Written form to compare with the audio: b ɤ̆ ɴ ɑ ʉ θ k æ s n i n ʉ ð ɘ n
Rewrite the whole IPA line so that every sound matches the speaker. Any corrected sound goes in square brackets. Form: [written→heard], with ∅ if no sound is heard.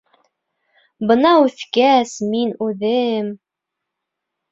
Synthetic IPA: b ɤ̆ [ɴ→n] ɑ ʉ θ k æ s [n→m] i n ʉ ð ɘ [n→m]

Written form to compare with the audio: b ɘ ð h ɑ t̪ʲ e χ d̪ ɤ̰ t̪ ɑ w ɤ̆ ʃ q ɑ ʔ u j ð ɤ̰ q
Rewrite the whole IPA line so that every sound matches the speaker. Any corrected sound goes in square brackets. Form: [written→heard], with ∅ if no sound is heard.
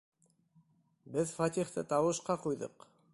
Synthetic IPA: b ɘ ð [h→f] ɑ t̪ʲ [e→i] χ [d̪→t̪] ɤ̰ t̪ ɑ w ɤ̆ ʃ q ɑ [ʔ→q] u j ð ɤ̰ q

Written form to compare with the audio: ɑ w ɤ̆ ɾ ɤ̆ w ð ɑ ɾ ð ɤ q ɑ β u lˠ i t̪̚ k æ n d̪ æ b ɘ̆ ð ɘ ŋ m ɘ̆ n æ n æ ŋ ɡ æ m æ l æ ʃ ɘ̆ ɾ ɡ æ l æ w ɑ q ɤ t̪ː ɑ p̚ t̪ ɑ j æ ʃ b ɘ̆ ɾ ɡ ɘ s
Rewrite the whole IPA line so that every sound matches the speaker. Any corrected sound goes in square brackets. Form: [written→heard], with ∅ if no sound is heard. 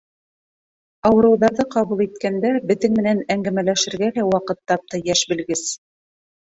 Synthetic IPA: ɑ w ɤ̆ ɾ ɤ̆ w ð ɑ ɾ ð ɤ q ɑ β u lˠ i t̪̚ k æ n d̪ æ b ɘ̆ ð ɘ ŋ m ɘ̆ n æ n æ ŋ ɡ æ m æ l æ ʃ ɘ̆ ɾ ɡ æ l æ w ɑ q ɤ t̪ː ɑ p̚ t̪ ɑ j æ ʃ b ɘ̆ [ɾ→l] ɡ ɘ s

